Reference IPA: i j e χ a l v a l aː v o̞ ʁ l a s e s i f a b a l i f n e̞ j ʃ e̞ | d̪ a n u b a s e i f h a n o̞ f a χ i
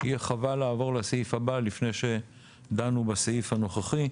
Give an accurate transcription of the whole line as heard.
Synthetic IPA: i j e χ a v a l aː v o̞ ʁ l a s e i f a b a l i f n e̞ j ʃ e̞ | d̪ a n u b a s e i f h a n o̞ χ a χ i